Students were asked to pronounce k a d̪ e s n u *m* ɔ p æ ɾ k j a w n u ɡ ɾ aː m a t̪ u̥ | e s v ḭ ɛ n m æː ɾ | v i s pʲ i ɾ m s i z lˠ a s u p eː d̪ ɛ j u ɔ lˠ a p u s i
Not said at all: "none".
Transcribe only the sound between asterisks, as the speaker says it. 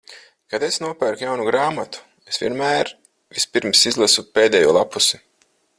none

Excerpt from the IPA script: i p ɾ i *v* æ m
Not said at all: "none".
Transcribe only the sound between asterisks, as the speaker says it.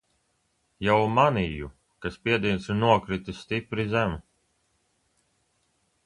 z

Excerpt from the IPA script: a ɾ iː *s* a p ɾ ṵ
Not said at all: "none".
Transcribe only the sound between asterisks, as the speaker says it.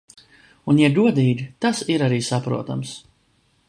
s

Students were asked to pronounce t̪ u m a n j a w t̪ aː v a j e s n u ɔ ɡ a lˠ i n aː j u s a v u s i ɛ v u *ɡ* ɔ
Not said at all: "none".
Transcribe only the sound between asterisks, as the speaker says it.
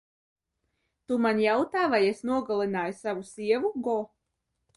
ɡ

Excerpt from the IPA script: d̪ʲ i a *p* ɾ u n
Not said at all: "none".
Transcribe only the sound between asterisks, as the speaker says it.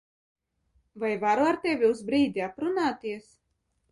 p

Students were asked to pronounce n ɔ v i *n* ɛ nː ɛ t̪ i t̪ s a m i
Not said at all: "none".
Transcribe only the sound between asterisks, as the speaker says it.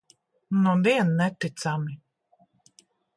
none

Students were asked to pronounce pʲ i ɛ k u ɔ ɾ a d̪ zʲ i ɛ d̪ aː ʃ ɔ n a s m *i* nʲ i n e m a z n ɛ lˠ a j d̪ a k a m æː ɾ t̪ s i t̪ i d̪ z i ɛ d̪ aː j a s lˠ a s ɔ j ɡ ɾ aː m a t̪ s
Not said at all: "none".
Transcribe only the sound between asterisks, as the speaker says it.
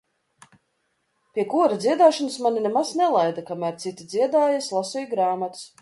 a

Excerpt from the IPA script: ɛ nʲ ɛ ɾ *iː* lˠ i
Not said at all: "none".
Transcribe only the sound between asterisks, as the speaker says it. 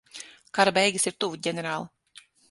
aː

